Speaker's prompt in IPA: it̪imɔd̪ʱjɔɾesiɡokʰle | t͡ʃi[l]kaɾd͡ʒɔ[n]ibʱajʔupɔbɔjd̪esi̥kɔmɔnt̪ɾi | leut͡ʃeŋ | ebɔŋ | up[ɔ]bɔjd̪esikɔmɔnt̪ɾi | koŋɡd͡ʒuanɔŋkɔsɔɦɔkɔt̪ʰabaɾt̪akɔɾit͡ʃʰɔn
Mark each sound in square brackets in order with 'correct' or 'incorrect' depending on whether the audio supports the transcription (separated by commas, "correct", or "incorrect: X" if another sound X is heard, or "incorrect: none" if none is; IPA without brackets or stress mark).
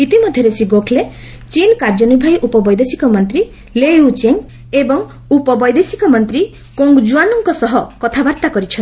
correct, correct, correct